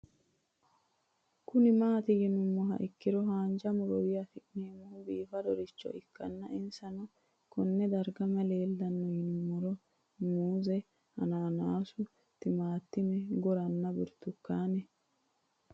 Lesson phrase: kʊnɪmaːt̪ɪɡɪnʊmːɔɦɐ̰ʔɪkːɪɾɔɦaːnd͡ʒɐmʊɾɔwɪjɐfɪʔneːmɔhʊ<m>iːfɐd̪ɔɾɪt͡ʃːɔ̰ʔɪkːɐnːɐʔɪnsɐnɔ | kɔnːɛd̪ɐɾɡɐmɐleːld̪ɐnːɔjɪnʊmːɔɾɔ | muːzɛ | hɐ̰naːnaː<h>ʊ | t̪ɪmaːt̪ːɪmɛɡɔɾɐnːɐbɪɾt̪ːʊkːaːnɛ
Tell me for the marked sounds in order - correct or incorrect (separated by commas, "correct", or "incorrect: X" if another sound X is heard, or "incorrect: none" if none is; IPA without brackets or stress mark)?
incorrect: b, incorrect: s